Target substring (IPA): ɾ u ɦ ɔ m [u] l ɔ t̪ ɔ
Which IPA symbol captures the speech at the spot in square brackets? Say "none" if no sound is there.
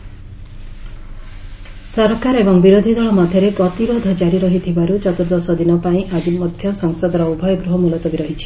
u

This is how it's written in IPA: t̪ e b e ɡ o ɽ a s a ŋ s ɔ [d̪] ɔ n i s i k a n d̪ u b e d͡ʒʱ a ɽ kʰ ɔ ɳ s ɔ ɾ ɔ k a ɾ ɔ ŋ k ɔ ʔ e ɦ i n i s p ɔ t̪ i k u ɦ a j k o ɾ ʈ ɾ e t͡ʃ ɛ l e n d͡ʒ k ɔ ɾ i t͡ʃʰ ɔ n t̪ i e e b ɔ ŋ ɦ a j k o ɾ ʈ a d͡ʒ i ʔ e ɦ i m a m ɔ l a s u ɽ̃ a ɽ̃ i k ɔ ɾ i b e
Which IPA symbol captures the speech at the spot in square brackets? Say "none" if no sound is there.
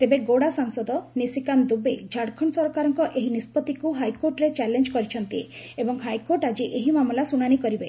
d̪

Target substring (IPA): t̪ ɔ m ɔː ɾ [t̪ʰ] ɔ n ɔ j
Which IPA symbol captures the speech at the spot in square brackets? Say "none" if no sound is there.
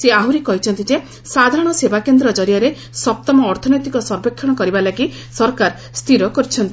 t̪ʰ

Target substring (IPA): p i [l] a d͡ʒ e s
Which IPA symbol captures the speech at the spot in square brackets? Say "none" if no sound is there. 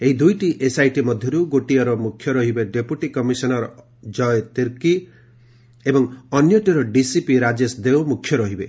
ɾ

